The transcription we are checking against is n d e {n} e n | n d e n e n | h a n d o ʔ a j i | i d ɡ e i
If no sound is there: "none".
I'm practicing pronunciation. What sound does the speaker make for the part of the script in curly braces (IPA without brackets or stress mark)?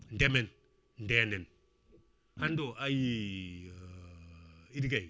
m